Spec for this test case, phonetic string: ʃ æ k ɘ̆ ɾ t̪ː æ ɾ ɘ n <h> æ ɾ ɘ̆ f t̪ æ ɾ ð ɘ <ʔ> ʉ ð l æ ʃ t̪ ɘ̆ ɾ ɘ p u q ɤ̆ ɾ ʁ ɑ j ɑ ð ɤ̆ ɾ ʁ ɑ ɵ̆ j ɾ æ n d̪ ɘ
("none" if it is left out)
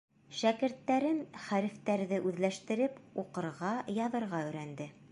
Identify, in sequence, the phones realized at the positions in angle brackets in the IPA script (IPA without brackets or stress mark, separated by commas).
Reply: χ, ʔ